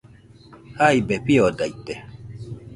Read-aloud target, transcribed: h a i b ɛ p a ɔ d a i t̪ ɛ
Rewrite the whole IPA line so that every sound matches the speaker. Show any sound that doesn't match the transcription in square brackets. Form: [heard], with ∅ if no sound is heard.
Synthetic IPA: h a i b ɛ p [i] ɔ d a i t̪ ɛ